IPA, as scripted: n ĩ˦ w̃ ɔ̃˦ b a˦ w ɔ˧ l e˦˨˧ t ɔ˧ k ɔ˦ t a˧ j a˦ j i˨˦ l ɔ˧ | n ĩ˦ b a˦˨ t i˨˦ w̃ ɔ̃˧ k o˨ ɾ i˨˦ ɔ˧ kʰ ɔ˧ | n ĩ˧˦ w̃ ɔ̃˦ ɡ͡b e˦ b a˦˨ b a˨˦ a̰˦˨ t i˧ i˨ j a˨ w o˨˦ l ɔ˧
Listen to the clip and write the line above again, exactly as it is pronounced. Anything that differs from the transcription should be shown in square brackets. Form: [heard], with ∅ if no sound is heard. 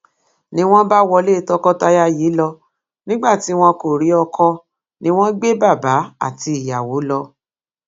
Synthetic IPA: n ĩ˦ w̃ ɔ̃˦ b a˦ w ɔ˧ l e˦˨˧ t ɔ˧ k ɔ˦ t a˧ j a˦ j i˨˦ l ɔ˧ | n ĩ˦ [ɡ͡b] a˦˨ t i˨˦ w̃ ɔ̃˧ k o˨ ɾ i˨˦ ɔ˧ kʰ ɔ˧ | n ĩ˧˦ w̃ ɔ̃˦ ɡ͡b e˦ b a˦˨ b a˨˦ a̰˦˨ t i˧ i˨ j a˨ w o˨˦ l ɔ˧